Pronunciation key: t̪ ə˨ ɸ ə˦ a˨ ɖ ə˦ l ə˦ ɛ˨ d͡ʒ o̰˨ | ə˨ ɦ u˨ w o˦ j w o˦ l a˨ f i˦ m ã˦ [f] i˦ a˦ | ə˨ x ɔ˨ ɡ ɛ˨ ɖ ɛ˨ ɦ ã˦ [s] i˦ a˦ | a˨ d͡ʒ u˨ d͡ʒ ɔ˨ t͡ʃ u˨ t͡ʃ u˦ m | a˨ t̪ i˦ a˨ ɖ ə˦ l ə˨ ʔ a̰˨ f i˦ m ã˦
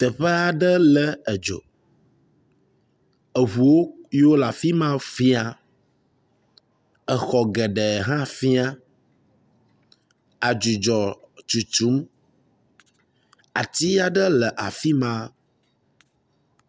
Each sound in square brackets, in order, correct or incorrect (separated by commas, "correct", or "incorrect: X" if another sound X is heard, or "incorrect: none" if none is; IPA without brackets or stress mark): correct, incorrect: f